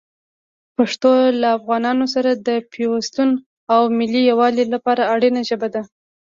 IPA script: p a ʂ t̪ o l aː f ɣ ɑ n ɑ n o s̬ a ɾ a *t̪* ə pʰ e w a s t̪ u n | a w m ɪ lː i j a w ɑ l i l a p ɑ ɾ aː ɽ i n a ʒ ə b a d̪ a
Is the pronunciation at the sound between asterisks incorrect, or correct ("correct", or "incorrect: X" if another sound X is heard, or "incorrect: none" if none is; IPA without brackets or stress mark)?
incorrect: d̪